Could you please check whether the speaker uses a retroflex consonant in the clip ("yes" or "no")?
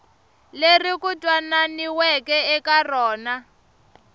no